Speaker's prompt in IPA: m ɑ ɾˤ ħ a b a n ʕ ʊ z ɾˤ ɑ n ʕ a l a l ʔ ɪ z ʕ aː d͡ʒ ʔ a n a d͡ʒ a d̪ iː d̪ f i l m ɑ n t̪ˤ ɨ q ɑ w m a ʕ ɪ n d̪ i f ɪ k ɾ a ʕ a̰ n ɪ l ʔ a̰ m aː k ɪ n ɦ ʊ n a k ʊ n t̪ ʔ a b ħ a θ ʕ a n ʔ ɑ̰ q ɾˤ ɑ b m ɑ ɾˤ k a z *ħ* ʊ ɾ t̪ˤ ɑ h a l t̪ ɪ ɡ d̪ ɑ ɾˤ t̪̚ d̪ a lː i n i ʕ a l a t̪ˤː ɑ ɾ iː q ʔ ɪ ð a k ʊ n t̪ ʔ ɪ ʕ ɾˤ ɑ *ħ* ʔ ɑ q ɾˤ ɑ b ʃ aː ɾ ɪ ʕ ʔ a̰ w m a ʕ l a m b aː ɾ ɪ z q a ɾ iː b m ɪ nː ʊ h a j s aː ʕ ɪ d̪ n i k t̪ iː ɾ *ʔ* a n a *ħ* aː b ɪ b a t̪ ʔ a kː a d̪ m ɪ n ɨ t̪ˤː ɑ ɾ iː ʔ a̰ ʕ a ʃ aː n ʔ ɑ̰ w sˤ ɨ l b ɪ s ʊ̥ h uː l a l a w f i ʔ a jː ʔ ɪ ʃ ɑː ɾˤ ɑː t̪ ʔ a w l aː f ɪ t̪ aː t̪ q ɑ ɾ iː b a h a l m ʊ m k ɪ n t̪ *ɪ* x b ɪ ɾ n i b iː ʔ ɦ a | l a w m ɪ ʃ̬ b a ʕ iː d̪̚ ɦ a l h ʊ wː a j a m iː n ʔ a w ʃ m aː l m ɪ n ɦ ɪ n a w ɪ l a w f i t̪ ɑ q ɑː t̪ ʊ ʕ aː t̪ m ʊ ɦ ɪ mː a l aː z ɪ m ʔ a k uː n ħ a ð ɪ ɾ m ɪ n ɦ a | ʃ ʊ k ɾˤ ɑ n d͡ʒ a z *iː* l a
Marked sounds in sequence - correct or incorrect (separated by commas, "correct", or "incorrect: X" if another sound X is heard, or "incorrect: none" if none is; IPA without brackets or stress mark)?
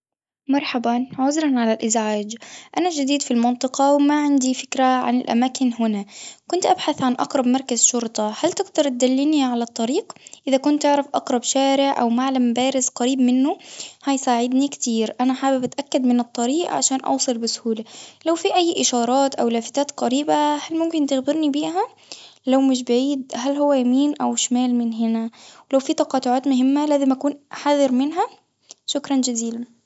incorrect: ʃ, incorrect: f, correct, correct, correct, correct